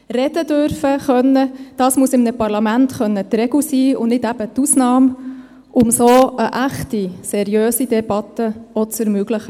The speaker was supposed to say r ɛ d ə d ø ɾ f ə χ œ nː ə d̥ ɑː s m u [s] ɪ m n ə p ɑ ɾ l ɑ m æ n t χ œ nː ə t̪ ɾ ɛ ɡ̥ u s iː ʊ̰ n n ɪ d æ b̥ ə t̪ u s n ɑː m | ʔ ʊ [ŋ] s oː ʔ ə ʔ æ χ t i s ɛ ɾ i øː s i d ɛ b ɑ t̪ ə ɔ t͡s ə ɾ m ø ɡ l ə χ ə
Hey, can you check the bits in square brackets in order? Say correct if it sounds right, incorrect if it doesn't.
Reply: correct, incorrect: m

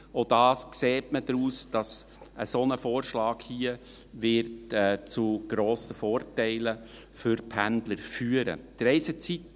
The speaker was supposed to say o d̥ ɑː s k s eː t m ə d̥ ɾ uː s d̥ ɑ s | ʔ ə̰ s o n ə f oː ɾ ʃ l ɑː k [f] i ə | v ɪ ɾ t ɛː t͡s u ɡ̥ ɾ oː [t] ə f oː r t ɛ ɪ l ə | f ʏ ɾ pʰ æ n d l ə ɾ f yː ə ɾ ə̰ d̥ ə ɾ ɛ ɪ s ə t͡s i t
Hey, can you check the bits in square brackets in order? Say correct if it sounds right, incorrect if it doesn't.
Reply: incorrect: h, incorrect: s

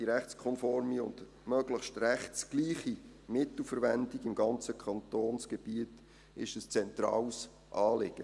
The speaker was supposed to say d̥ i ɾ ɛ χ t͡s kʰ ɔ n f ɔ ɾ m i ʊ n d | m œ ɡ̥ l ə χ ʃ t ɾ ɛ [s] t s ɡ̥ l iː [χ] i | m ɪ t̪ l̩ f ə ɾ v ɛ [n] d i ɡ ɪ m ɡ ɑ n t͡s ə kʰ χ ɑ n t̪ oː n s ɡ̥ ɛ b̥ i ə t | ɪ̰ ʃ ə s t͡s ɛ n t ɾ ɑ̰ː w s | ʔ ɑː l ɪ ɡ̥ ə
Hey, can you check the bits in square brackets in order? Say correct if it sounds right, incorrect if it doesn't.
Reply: incorrect: χ, correct, correct

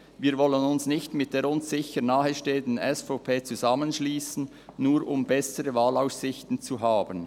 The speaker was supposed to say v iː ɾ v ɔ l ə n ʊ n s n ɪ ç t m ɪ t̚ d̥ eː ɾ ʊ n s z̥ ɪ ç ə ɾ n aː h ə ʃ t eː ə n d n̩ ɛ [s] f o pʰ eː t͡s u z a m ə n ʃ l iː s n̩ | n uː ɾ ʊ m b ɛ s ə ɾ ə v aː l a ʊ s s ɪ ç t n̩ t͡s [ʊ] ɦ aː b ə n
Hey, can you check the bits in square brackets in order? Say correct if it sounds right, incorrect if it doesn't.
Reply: correct, incorrect: u

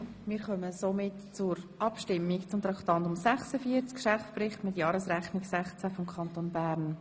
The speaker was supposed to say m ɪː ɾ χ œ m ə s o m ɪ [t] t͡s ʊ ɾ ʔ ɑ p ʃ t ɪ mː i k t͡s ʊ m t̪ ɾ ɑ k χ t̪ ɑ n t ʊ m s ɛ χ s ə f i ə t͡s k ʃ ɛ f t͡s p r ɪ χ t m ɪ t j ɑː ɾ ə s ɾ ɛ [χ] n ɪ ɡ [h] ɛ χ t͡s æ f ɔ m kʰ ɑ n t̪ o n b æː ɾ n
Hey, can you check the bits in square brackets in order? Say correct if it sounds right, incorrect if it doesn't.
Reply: correct, correct, incorrect: s

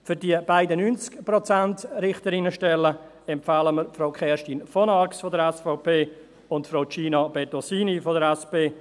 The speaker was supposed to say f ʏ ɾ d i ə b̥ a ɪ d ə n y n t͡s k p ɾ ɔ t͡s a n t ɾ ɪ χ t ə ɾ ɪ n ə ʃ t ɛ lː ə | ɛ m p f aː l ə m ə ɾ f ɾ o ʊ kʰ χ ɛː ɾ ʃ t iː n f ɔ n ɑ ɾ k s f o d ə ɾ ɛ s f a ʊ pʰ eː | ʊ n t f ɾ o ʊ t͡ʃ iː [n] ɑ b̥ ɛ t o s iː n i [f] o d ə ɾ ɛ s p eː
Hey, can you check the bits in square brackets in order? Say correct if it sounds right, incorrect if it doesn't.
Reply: correct, correct

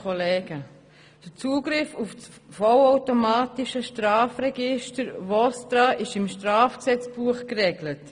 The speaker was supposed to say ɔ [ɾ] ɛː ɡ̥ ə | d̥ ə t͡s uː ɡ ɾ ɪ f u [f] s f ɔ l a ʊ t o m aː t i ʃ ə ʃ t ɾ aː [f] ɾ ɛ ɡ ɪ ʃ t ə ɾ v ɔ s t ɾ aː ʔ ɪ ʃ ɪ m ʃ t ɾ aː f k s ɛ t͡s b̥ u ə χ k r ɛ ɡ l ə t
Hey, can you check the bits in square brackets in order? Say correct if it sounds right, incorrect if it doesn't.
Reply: incorrect: l, correct, correct

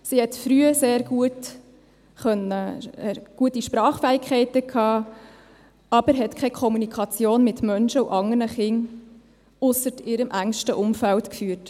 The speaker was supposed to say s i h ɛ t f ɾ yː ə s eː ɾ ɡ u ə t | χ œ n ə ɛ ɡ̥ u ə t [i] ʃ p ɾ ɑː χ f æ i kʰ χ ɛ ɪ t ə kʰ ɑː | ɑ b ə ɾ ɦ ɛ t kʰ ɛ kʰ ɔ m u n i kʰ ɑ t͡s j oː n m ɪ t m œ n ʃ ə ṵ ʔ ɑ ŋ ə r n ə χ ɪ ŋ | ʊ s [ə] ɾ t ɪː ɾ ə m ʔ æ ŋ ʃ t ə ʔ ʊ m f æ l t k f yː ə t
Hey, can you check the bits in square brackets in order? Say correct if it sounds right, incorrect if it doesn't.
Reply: correct, correct

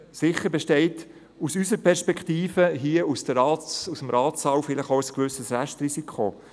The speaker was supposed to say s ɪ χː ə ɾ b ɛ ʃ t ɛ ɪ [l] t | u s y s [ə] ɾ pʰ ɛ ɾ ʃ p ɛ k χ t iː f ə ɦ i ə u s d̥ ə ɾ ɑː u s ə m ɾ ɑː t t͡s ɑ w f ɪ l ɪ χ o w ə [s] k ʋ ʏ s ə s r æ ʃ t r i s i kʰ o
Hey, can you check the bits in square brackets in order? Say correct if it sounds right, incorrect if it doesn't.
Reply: incorrect: none, correct, correct

